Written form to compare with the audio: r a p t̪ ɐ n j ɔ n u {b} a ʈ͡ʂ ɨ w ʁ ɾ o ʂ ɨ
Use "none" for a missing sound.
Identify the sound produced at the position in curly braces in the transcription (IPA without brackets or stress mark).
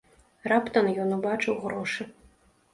b